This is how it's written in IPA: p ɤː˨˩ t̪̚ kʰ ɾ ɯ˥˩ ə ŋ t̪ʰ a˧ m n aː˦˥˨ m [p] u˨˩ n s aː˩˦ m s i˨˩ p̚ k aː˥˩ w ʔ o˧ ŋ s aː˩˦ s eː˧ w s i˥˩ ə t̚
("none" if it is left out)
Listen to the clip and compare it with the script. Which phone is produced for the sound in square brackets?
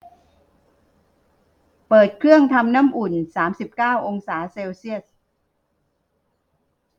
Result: ʔ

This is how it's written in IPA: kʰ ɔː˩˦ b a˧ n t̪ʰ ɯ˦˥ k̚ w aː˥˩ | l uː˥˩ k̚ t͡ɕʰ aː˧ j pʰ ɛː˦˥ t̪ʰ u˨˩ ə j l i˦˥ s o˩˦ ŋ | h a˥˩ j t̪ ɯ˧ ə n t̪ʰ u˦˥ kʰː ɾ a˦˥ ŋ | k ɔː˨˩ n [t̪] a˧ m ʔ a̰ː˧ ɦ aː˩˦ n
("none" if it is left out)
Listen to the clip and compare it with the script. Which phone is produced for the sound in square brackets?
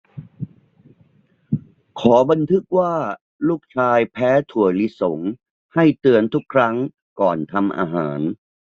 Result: t̪ʰ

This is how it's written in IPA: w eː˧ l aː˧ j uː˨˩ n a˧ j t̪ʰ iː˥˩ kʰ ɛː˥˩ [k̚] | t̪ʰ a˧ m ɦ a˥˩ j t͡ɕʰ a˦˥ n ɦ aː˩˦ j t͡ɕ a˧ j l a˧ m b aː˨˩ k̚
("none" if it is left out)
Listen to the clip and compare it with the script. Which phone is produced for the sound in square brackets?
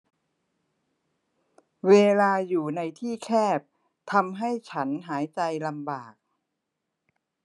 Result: p̚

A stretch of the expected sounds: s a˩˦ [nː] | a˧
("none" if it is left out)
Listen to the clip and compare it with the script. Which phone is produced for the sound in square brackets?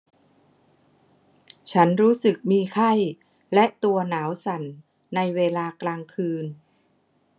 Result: nː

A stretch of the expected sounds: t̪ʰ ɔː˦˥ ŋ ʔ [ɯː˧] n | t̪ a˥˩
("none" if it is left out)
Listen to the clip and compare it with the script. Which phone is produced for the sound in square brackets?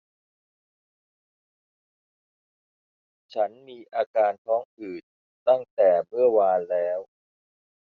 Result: ɯː˨˩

